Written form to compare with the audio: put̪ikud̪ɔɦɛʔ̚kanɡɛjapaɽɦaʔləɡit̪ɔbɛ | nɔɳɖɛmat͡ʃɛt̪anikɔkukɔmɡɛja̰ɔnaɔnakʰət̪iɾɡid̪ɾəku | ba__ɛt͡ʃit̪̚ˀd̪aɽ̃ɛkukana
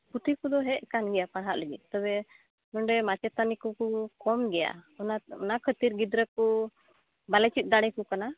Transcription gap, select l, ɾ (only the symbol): l